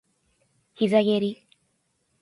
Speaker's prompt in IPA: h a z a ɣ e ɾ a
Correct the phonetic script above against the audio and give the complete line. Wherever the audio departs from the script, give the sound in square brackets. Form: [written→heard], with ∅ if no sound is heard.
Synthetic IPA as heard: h [a→i] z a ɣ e ɾ [a→i]